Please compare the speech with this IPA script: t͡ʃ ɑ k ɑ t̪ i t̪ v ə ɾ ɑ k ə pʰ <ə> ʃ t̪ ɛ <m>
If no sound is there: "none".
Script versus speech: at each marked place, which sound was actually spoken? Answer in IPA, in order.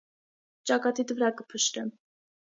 ə, m

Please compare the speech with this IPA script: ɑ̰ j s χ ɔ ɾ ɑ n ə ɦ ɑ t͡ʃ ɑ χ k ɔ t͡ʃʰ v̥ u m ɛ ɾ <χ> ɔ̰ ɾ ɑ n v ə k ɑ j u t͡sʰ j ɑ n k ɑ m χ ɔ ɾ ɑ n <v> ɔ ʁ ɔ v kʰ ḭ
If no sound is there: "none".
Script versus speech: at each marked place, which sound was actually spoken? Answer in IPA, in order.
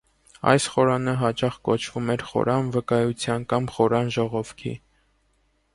χ, ʒ

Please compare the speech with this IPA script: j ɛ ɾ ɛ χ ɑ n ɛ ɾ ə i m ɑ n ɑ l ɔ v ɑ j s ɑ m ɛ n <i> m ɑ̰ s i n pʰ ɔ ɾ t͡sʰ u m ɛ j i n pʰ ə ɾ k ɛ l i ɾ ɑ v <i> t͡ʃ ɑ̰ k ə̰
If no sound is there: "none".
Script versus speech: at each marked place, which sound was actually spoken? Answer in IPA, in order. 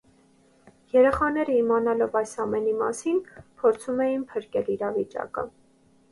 i, i

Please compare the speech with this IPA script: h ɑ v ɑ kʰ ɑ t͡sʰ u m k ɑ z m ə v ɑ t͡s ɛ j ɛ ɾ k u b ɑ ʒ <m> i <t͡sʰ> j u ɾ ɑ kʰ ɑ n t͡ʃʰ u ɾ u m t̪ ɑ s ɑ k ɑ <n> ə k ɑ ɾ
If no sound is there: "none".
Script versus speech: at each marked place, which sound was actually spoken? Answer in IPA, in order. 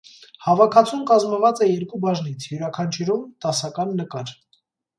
n, t͡sʰ, nː

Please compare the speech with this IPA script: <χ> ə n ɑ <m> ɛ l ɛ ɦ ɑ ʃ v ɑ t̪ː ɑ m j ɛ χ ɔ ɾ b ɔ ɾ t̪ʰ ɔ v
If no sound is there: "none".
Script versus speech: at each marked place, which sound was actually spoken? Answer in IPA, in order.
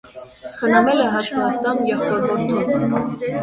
χ, m

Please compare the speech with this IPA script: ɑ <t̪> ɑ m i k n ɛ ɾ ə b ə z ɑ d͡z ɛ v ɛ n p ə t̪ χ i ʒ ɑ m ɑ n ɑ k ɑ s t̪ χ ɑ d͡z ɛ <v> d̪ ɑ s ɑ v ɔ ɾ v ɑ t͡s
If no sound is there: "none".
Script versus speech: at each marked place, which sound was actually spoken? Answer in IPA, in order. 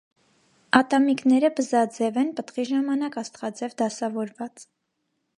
t̪, v

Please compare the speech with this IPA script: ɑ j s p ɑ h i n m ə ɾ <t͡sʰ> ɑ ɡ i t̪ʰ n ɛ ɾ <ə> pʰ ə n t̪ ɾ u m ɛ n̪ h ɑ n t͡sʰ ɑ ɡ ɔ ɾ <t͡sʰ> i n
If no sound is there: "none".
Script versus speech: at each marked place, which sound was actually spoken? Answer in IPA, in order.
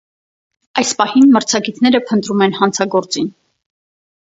t͡sʰ, ə, t͡s

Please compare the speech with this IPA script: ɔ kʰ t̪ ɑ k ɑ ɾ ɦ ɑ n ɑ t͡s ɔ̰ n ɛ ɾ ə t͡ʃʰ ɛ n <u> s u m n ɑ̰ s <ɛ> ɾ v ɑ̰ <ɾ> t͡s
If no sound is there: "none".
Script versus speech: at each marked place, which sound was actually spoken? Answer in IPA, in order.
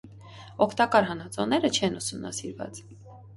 u, i, none

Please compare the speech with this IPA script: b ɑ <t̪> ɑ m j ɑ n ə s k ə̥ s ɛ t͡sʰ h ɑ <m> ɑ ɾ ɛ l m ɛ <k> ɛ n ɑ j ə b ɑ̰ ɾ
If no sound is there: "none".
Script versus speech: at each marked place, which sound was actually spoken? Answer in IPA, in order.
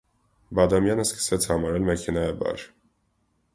d̪, m, kʰ

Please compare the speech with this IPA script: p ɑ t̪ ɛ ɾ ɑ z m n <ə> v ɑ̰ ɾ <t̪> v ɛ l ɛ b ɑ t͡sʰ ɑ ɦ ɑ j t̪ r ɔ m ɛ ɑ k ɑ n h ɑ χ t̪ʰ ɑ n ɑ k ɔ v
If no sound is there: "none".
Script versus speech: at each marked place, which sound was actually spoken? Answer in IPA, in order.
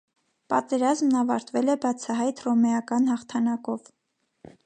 ɑ, t̪

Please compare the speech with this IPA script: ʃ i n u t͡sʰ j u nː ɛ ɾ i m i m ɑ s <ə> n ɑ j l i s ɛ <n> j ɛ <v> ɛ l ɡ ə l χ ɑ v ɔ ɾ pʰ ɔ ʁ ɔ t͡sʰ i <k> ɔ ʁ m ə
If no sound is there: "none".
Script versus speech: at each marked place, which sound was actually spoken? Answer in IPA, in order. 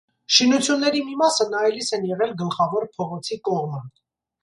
ə, n, ʁ, k

